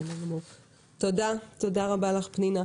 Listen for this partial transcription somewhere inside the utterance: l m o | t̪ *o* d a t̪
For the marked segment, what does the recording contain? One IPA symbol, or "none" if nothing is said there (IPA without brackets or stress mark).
o